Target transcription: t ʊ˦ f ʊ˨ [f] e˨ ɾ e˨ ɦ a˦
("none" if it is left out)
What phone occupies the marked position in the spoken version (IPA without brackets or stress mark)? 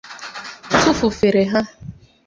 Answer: f